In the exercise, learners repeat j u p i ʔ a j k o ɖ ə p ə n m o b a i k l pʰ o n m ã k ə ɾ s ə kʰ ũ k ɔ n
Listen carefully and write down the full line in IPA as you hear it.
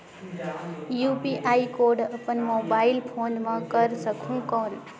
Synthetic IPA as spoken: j u p i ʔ a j k o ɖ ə p ə n m o b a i l pʰ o n m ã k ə ɾ s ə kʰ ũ k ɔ n

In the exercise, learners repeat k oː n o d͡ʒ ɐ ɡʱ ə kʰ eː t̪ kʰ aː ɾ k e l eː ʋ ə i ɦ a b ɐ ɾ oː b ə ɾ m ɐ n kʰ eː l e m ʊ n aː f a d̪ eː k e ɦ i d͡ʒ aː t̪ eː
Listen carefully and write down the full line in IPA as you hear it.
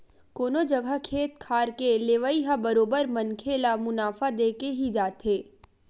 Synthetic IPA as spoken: k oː n o d͡ʒ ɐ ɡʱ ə kʰ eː t̪ kʰ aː ɾ k e l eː ʋ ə i ɦ a b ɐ ɾ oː b ə ɾ m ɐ n kʰ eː l a m ʊ n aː f a d̪ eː k e ɦ i d͡ʒ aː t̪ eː

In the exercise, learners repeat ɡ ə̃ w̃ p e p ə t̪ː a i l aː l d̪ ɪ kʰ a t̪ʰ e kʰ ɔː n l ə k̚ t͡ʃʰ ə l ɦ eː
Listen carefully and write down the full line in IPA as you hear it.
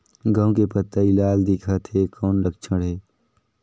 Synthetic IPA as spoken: ɡ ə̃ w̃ k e p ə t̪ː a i l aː l d̪ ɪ kʰ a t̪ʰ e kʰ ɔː n l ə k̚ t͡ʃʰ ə ɽ ɦ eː

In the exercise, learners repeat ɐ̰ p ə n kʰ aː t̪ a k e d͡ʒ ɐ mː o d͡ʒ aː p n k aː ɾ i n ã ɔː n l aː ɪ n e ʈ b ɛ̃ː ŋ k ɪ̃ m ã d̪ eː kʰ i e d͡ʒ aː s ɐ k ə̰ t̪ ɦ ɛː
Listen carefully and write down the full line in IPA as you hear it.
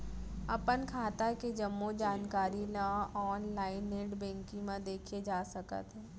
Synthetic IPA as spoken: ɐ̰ p ə n kʰ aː t̪ a k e d͡ʒ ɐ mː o d͡ʒ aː n k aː ɾ i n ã ɔː n l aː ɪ n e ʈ b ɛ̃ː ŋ k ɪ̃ m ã d̪ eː kʰ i e d͡ʒ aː s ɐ k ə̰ t̪ ɦ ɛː

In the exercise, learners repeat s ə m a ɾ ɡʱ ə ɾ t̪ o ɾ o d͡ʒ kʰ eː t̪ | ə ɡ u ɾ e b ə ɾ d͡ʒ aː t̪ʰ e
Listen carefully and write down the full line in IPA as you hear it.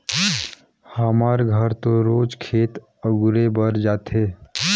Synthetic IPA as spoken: h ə m a ɾ ɡʱ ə ɾ t̪ o ɾ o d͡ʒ kʰ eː t̪ | ə ɡ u ɾ e b ə ɾ d͡ʒ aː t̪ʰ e

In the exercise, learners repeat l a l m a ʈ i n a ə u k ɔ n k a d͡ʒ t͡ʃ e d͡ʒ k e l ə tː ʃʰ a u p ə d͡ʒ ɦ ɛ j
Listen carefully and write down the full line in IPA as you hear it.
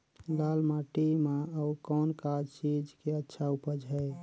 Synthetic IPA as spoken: l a l m a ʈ i m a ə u k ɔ n k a d͡ʒ t͡ʃ i d͡ʒ k e ə tː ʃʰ a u p ə d͡ʒ ɦ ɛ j

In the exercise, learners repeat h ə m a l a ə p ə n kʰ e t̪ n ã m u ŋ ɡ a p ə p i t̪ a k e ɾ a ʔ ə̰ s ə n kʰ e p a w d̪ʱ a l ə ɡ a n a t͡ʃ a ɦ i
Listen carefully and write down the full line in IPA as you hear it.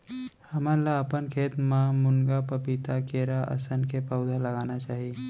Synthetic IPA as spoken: h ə m a l a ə p ə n kʰ e t̪ m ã m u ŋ ɡ a p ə p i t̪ a k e ɾ a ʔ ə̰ s ə n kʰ e p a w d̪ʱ a l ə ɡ a n a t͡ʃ a ɦ i

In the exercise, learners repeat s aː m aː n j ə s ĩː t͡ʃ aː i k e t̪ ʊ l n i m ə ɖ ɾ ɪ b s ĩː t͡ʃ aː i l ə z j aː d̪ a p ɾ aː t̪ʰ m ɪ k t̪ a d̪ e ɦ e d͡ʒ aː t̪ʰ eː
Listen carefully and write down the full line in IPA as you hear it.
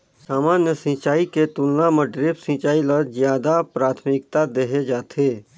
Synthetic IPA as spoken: s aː m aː n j ə s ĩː t͡ʃ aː i k e t̪ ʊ l n a m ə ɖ ɾ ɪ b s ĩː t͡ʃ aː i l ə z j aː d̪ a p ɾ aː t̪ʰ m ɪ k t̪ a d̪ e ɦ e d͡ʒ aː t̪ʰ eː

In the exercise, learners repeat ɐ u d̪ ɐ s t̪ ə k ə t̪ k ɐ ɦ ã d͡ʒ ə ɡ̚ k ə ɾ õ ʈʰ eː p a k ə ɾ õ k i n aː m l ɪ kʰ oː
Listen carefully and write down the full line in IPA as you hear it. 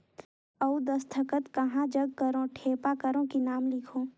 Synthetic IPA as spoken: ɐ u d̪ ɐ s t̪ʰ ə k ə t̪ k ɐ ɦ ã d͡ʒ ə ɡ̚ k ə ɾ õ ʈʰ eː p a k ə ɾ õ k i n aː m l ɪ kʰ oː

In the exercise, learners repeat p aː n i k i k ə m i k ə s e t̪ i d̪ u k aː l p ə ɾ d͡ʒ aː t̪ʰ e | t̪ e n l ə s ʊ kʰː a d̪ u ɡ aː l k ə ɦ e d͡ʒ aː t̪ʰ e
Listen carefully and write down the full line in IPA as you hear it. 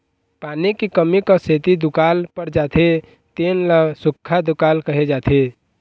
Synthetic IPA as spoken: p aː n i k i k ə m i k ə s e t̪ i d̪ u k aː l p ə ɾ d͡ʒ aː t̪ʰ e | t̪ e n l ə s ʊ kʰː a d̪ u k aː l k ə ɦ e d͡ʒ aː t̪ʰ e

